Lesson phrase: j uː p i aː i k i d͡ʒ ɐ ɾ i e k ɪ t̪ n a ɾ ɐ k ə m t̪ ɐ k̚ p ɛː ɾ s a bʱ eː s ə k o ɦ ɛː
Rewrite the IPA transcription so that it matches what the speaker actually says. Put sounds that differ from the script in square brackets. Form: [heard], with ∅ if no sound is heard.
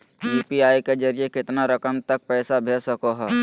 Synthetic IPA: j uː p i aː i k [e] d͡ʒ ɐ ɾ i e k ɪ t̪ n a ɾ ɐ k ə m t̪ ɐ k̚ p ɛː [∅] s a bʱ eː s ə k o ɦ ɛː